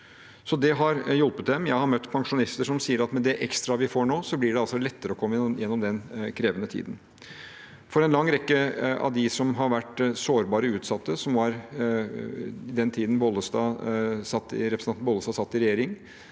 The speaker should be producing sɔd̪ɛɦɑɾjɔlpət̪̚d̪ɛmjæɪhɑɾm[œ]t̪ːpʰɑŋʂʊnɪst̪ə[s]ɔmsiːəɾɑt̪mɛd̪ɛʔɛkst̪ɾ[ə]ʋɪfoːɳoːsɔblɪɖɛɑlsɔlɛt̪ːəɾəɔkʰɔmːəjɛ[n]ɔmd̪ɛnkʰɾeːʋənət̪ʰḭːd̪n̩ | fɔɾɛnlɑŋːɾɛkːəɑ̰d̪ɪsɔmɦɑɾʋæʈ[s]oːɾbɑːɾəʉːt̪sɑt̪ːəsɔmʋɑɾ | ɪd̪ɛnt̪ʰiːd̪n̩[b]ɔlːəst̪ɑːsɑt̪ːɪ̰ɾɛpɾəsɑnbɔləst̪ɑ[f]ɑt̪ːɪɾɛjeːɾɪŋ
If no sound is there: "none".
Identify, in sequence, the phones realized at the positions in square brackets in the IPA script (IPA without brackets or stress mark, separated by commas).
œ, ʂ, ɑ, nː, s, b, s